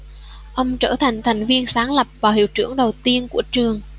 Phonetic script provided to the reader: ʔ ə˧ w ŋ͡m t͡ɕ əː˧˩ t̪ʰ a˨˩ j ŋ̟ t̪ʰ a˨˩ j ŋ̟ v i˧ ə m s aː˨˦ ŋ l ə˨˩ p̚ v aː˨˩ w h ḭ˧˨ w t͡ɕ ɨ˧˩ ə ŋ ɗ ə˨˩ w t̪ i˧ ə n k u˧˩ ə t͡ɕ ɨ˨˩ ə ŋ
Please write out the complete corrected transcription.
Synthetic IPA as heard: ʔ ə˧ w ŋ͡m t͡ɕ əː˧˩ t̪ʰ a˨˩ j ŋ̟ t̪ʰ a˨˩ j ŋ̟ v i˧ ə n s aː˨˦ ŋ l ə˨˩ p̚ v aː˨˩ w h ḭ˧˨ w t͡ɕ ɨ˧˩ ə ŋ ɗ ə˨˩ w t̪ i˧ ə n k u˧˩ ə t͡ɕ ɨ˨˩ ə ŋ

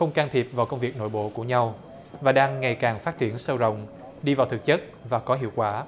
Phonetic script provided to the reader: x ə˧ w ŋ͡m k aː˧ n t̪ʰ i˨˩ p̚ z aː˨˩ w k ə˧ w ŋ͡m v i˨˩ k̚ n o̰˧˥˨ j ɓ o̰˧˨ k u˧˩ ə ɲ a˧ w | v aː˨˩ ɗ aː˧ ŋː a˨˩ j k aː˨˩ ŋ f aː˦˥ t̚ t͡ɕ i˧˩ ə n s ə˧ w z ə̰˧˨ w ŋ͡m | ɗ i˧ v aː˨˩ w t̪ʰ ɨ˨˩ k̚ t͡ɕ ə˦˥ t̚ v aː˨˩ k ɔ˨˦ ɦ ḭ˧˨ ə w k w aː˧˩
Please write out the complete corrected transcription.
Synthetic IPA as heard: x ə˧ w ŋ͡m k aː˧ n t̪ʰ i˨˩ p̚ v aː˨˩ w k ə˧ w ŋ͡m v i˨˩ k̚ n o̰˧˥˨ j ɓ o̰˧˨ k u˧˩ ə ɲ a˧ w | v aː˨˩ ɗ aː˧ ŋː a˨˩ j k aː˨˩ ŋ f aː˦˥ t̚ t͡ɕ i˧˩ ə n s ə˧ w z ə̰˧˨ w ŋ͡m | ɗ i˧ v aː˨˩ w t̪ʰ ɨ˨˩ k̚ t͡ɕ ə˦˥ t̚ v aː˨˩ k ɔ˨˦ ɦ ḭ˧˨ ə w k w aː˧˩

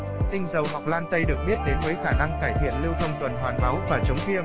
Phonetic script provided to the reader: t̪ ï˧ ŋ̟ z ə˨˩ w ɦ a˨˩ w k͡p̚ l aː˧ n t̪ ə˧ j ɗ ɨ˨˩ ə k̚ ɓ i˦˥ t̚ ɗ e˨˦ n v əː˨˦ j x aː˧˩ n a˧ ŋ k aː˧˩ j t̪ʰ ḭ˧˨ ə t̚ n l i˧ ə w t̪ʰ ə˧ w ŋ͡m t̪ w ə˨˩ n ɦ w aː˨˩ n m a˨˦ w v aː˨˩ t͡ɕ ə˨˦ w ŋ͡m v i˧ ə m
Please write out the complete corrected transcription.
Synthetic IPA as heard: t̪ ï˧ ŋ̟ z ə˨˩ w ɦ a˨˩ w k͡p̚ l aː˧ n t̪ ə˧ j ɗ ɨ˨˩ ə k̚ ɓ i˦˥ t̚ ɗ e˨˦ n v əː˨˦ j x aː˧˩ n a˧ ŋ k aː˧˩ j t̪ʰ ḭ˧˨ ə n l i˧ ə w t̪ʰ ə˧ w ŋ͡m t̪ w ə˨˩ n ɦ w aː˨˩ n m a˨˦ w v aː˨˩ t͡ɕ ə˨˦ w ŋ͡m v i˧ ə m

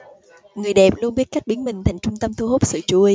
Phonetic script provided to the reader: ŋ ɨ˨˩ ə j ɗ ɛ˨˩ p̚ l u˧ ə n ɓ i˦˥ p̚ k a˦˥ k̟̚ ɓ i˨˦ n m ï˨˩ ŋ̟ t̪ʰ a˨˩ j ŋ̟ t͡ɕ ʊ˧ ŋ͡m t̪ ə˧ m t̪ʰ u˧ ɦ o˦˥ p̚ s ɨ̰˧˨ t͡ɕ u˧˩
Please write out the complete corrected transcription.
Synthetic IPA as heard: ŋ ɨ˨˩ ə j ɗ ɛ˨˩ p̚ l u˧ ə n ɓ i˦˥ t̚ k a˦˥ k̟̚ ɓ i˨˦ n m ï˨˩ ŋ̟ t̪ʰ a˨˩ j ŋ̟ t͡ɕ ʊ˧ ŋ͡m t̪ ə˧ m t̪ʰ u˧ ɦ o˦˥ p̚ s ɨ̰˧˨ t͡ɕ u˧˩

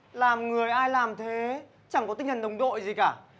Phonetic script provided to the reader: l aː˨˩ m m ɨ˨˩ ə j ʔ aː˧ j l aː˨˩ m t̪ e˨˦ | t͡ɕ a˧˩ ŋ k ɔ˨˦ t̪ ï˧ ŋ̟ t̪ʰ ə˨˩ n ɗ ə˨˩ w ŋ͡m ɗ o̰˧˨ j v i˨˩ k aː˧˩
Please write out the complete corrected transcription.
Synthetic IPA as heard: l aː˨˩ m ŋ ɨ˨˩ ə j ʔ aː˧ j l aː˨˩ m t̪ʰ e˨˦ | t͡ɕ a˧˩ ŋ k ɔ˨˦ t̪ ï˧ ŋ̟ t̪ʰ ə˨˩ n ɗ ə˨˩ w ŋ͡m ɗ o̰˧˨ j z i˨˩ k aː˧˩

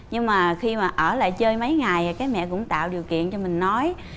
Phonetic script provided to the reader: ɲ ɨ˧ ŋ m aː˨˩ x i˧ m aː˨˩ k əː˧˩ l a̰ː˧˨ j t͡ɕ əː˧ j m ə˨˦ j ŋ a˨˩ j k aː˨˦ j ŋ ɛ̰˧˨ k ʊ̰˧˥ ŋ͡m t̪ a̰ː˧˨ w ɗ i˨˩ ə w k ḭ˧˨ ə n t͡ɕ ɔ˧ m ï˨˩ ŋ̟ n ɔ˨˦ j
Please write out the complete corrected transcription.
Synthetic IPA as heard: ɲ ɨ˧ ŋ m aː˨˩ x i˧ m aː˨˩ ʔ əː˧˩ l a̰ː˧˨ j t͡ɕ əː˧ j m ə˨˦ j ŋ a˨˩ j k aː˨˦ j m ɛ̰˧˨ k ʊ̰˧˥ ŋ͡m t̪ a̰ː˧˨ w ɗ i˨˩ ə w k ḭ˧˨ ə n t͡ɕ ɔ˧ m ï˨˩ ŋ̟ n ɔ˨˦ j

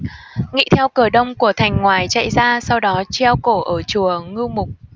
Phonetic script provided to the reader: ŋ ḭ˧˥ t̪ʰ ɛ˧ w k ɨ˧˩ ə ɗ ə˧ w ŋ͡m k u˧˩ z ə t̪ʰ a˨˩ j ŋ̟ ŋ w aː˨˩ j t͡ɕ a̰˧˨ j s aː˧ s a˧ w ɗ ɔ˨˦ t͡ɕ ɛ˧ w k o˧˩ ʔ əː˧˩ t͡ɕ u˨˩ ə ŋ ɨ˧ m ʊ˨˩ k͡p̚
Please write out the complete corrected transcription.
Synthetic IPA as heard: ŋ ḭ˧˥ t̪ʰ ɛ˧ w k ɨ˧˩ ə ɗ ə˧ w ŋ͡m k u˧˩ ə t̪ʰ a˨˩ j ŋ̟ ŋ w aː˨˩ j t͡ɕ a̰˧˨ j z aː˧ s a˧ w ɗ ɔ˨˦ t͡ɕ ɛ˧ w k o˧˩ ʔ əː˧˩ t͡ɕ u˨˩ ə ŋ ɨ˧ m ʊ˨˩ k͡p̚

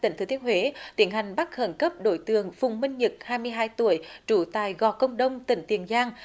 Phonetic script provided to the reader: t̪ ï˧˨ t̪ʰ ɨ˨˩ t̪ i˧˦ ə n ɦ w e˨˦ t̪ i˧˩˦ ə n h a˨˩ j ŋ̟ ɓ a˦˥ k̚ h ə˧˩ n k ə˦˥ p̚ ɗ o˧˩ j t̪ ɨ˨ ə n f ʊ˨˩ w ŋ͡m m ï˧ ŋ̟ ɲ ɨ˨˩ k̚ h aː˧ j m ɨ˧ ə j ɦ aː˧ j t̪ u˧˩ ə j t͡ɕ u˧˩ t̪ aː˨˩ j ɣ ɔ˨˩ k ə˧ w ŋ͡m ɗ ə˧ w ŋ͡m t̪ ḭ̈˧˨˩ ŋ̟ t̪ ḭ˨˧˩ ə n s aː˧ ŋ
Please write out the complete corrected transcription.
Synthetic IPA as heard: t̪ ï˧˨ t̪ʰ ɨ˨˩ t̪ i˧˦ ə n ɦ w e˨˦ t̪ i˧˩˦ ə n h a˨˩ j ŋ̟ ɓ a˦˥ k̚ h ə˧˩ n k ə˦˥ p̚ ɗ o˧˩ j t̪ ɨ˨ ə ŋ f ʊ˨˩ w ŋ͡m m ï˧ ŋ̟ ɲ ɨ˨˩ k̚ h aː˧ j m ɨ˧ ə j ɦ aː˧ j t̪ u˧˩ ə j t͡ɕ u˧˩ t̪ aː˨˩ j ɣ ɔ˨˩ k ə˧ w ŋ͡m ɗ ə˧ w ŋ͡m t̪ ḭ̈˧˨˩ ŋ̟ t̪ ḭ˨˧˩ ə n z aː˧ ŋ

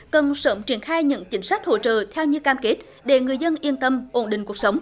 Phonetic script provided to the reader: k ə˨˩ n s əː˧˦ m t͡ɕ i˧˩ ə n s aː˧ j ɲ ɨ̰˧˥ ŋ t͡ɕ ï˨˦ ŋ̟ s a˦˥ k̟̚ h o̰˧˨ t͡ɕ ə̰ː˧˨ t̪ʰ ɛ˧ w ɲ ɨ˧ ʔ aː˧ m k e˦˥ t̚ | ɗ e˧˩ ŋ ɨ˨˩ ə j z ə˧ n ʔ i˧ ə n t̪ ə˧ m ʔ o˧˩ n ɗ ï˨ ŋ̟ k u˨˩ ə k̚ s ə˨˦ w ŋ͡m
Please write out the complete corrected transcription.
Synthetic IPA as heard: k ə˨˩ n s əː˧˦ m t͡ɕ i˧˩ ə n x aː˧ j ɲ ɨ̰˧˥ ŋ t͡ɕ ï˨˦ ŋ̟ s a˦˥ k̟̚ h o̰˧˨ t͡ɕ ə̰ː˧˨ t̪ʰ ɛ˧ w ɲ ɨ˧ k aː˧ m k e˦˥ t̚ | ɗ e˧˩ ŋ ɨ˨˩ ə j z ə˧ n ʔ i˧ ə n t̪ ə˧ m ʔ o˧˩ n ɗ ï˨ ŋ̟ k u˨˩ ə k̚ s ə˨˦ w ŋ͡m

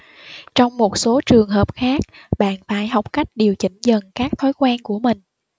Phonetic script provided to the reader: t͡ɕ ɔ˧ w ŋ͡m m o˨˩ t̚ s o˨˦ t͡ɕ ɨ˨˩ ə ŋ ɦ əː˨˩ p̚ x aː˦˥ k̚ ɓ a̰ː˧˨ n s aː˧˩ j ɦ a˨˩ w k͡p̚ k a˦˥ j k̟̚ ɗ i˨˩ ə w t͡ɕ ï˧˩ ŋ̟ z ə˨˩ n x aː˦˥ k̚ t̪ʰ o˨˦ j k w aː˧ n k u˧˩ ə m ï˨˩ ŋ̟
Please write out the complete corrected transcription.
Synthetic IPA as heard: t͡ɕ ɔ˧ w ŋ͡m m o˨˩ t̚ s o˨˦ t͡ɕ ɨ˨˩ ə ŋ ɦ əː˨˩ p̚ x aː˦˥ k̚ ɓ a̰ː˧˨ n f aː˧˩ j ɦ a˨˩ w k͡p̚ k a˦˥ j k̟̚ ɗ i˨˩ ə w t͡ɕ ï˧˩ ŋ̟ z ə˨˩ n k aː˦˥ k̚ t̪ʰ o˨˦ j k w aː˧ n k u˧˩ ə m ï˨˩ ŋ̟

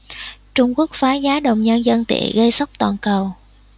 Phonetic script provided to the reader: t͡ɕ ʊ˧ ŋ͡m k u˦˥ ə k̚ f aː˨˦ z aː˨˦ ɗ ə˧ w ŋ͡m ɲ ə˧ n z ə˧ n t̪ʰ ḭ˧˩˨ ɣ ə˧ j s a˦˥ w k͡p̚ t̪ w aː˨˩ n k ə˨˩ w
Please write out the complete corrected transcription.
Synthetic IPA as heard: t͡ɕ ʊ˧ ŋ͡m k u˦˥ ə k̚ f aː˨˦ z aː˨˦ ɗ ə˨˩ w ŋ͡m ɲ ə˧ n z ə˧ n t̪ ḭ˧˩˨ ɣ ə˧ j s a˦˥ w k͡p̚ t̪ w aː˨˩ n k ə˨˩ w

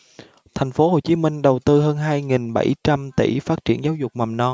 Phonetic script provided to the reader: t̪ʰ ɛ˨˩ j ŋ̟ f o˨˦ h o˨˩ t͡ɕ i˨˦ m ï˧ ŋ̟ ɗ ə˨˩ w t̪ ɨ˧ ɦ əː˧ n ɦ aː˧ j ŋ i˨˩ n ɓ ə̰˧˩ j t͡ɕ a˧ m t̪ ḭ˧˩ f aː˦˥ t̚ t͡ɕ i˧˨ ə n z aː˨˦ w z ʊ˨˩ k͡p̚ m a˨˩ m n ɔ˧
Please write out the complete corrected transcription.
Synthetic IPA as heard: t̪ʰ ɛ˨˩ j ŋ̟ f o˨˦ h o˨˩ t͡ɕ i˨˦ m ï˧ ŋ̟ ɗ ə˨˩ w t̪ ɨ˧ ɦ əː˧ n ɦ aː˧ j ŋ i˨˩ n ɓ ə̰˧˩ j t͡ɕ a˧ m t̪ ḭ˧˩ f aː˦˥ t̚ t͡ɕ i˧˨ ə n z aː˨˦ w z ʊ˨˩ k͡p̚ m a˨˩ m n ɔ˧

